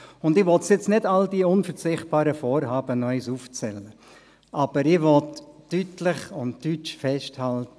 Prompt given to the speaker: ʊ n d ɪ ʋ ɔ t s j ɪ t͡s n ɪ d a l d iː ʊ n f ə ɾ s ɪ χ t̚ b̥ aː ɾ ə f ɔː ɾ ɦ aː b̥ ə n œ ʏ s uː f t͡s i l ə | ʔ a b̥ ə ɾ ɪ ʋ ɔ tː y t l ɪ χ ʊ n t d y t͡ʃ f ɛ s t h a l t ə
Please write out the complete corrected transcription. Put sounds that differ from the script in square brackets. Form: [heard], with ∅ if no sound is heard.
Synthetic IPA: ʊ n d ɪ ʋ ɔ t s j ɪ t͡s n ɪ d a l d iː ʊ n f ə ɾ [t͡s] ɪ χ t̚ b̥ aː ɾ ə f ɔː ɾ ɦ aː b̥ ə n œ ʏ s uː f t͡s [ɛ] l ə | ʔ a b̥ ə ɾ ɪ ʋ ɔ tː y t l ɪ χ ʊ n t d y t͡ʃ f ɛ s t h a l t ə